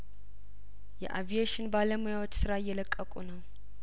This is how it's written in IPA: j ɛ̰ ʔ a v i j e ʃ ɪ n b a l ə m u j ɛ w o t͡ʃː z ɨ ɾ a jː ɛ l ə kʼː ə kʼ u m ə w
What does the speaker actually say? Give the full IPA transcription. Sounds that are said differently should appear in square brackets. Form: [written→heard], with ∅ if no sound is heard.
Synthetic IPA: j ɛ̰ ʔ a v i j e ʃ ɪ n b a l ə m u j [ɛ→a] w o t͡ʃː [z→s] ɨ ɾ a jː ɛ l ə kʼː ə kʼ u [m→n] ə w